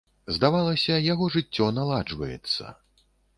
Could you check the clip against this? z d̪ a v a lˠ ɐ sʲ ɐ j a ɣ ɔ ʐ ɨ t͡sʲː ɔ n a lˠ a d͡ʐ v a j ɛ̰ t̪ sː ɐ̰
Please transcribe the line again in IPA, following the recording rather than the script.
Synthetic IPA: z d̪ a v a lˠ ɐ sʲ ɐ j a ɣ ɔ ʐ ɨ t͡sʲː ɔ n a lˠ a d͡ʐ v ɐ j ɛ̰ t̪ sː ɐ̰